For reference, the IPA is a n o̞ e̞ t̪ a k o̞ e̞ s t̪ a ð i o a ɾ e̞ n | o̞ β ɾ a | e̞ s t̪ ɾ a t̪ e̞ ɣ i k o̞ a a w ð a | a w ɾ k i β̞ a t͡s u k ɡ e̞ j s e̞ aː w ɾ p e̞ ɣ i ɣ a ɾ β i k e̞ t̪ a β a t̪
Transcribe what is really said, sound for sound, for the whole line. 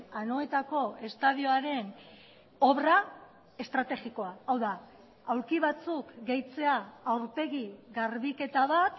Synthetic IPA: a n o̞ e̞ t̪ a k o̞ e̞ s t̪ a ð i o a ɾ e̞ n | o̞ β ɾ a | e̞ s t̪ ɾ a t̪ e̞ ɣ i k o̞ a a w ð a | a w ɾ k i β̞ a t͡s u k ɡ e̞ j t͡s e̞ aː w ɾ p e̞ ɣ i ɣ a ɾ β i k e̞ t̪ a β a t̪